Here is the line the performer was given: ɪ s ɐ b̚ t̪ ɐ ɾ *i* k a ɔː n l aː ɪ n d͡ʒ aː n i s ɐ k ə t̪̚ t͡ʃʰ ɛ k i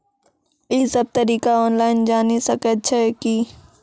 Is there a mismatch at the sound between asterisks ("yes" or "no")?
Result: yes